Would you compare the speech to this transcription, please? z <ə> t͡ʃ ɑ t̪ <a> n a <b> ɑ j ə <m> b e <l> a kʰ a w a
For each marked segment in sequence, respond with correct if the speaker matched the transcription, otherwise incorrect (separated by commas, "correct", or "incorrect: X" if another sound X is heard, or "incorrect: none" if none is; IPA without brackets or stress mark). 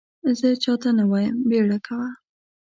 correct, correct, incorrect: w, correct, incorrect: ɽ